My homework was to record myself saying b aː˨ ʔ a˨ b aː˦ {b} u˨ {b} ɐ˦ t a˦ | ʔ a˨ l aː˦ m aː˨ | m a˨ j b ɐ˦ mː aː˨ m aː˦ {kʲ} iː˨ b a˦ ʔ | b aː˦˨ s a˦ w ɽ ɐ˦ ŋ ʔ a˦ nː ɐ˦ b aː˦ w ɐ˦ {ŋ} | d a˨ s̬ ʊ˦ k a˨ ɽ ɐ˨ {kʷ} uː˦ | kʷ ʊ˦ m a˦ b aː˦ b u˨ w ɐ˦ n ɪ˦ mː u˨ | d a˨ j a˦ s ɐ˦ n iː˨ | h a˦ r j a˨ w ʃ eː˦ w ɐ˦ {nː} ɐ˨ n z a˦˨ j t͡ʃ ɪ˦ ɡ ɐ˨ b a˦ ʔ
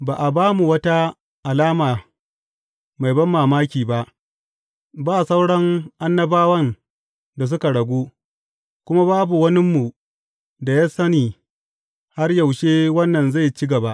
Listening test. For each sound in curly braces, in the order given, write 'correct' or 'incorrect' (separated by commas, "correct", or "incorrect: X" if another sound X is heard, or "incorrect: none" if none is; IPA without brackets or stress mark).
incorrect: m, incorrect: w, correct, incorrect: n, incorrect: ɡʷ, correct